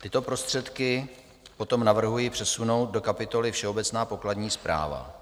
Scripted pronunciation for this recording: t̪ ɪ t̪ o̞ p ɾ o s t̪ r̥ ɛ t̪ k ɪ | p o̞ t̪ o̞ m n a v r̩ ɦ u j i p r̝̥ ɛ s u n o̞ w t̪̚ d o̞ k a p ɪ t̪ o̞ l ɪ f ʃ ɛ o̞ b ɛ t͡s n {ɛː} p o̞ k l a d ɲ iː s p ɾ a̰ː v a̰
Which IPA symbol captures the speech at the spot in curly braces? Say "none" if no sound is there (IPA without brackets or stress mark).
aː